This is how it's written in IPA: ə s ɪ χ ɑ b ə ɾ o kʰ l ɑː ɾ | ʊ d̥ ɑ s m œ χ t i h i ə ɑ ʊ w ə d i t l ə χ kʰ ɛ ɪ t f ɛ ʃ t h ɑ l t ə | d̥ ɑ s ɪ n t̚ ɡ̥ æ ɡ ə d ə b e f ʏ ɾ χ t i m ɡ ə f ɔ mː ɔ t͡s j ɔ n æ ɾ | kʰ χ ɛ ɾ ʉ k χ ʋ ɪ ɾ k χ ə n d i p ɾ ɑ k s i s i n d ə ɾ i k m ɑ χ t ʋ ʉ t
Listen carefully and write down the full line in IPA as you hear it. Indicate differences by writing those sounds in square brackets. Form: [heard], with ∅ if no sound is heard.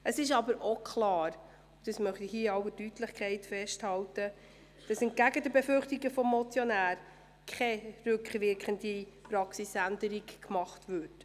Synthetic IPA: ə s ɪ [ʃ] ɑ b ə ɾ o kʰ l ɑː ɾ | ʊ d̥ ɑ s m œ χ t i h i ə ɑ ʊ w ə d [y] t l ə χ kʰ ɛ ɪ t f ɛ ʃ t h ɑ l t ə | d̥ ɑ s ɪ n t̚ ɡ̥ æ ɡ ə d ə b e f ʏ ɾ χ t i [∅] ɡ ə f ɔ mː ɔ t͡s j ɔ n [æː] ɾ | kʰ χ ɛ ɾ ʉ k χ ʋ ɪ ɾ k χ ə n d i p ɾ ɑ k s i s [æ] n d ə ɾ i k m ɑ χ t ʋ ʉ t

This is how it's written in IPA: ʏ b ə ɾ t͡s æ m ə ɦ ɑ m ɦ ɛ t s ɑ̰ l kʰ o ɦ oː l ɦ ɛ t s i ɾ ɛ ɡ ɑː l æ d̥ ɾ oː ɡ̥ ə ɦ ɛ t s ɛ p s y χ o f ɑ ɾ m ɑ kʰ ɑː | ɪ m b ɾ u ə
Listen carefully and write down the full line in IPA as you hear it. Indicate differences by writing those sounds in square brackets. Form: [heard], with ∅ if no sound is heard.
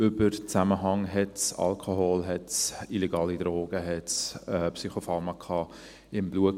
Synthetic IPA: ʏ b ə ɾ t͡s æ m ə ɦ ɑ [ŋ] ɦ ɛ t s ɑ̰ l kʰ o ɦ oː l ɦ ɛ t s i [l] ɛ ɡ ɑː l [i] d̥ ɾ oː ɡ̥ ə ɦ ɛ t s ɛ p s y χ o f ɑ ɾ m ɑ kʰ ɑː | ɪ m b [l] u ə

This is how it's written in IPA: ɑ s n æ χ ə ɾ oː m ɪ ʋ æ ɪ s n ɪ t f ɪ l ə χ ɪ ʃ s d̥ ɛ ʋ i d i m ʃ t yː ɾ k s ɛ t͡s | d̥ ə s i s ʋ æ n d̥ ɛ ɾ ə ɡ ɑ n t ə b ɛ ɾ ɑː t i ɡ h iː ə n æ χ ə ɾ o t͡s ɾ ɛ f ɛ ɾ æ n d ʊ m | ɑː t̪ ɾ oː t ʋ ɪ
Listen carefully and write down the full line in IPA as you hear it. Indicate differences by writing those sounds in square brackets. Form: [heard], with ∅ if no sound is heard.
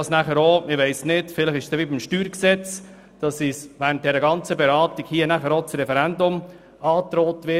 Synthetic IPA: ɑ s n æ χ ə ɾ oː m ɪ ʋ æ ɪ s n ɪ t f ɪ l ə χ ɪ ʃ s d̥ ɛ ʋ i [b] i m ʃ t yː ɾ k s ɛ t͡s | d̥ [ɑ] s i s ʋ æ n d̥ ɛ ɾ ə ɡ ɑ n [t͡s] ə b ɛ ɾ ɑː t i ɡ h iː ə n æ χ ə ɾ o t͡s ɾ ɛ f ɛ ɾ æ n d ʊ m | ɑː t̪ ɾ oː t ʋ ɪ

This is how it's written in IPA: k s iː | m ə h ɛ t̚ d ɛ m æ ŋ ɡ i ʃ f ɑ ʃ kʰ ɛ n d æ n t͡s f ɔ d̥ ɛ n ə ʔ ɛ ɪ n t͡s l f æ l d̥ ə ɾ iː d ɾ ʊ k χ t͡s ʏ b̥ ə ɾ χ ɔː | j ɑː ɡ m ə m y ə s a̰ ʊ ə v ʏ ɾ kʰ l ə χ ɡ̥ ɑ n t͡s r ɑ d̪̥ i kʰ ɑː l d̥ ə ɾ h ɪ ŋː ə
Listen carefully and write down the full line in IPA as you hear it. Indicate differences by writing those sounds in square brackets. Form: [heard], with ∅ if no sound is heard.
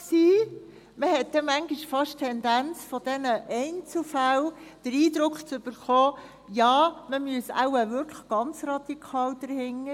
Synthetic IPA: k s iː | m ə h ɛ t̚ d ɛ m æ ŋ ɡ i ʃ f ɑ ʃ [tʰ] ɛ n d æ n t͡s f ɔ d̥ ɛ n ə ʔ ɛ ɪ n t͡s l f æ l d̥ ə ɾ iː d ɾ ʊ k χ t͡s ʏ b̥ ə ɾ χ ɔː | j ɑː [∅] m ə m y ə s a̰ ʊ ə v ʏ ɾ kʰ l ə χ ɡ̥ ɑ n t͡s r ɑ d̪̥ i kʰ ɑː l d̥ ə ɾ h ɪ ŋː ə

